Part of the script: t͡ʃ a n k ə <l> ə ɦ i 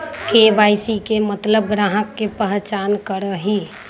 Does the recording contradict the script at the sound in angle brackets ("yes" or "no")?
yes